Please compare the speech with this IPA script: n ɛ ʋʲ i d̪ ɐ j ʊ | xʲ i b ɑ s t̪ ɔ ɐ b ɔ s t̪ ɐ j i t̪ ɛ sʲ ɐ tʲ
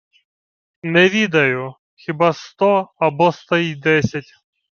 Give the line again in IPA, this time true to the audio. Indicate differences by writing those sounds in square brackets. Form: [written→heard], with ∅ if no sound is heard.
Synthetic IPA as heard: n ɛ ʋʲ i d̪ ɐ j ʊ | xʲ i b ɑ s t̪ ɔ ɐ b ɔ s t̪ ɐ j i [t̪→d̪] ɛ sʲ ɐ tʲ